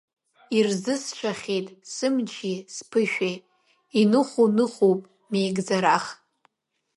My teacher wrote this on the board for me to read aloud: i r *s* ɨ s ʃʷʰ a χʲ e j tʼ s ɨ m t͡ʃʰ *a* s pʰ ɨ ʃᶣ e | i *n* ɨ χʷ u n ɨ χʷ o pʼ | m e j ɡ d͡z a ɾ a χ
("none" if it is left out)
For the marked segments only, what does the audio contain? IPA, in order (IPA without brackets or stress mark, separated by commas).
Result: z, i, n